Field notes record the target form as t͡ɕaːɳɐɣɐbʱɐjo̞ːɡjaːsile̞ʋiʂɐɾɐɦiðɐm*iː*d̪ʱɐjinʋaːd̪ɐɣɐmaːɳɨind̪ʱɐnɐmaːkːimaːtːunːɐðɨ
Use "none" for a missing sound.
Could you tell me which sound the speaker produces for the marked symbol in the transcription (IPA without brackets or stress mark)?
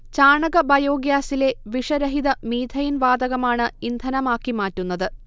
iː